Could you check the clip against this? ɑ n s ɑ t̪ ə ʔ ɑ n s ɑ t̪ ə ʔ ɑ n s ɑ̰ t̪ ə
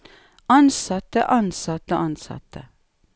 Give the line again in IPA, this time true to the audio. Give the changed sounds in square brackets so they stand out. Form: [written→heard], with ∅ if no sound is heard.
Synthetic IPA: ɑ n s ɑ t̪ ə ʔ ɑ n s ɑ t̪ ə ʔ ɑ n s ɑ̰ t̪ ə